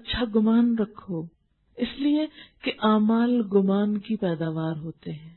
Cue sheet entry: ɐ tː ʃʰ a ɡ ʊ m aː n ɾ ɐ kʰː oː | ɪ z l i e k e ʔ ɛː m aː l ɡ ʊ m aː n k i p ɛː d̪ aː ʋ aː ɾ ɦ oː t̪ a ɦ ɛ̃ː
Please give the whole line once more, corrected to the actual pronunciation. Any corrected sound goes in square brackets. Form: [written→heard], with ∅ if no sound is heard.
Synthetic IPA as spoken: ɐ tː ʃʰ a ɡ ʊ m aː n ɾ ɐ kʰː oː | ɪ [z→s] l i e k e ʔ [ɛː→aː] m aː l ɡ ʊ m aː n k i p ɛː d̪ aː ʋ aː ɾ ɦ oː t̪ [a→e] ɦ ɛ̃ː